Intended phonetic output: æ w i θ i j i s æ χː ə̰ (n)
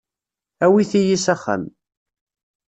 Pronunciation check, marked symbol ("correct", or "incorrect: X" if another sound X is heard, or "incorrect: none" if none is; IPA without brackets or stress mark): incorrect: m